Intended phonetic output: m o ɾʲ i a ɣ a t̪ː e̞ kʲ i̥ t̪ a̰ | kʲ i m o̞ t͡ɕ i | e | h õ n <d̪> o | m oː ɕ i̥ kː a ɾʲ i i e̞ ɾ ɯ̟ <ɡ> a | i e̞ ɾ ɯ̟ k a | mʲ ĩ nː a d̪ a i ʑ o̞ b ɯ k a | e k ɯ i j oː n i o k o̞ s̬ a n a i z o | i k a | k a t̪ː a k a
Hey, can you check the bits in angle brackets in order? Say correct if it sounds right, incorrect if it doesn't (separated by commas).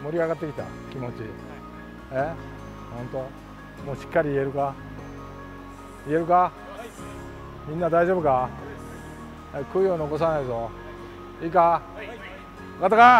incorrect, incorrect